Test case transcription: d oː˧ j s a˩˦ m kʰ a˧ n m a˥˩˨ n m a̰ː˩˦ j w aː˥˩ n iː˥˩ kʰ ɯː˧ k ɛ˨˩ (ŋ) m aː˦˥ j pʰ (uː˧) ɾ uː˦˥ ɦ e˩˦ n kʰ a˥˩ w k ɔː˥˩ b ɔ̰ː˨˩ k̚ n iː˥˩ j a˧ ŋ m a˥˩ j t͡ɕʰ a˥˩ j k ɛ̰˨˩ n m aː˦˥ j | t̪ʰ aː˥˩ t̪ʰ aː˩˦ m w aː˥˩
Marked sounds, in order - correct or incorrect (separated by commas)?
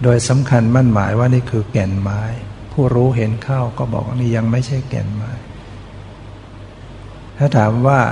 incorrect, incorrect